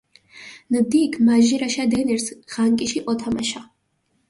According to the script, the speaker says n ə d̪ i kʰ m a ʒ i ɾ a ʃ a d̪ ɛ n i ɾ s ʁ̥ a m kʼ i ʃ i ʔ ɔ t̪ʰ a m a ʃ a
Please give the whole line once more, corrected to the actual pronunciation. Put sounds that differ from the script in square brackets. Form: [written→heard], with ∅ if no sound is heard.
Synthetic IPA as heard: n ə d̪ i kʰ m a ʒ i ɾ a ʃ a d̪ ɛ n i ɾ s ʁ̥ a [m→ŋ] kʼ i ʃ i ʔ ɔ t̪ʰ a m a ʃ a